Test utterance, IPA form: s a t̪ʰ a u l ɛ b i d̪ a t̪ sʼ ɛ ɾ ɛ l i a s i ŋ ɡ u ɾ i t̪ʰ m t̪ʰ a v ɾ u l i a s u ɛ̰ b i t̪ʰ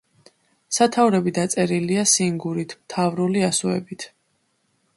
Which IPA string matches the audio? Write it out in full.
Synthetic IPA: s a t̪ʰ a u ɾ ɛ b i d̪ a t̪ sʼ ɛ ɾ i l i a s i ŋ ɡ u ɾ i t̪ʰ m t̪ʰ a v ɾ u l i a s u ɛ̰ b i t̪ʰ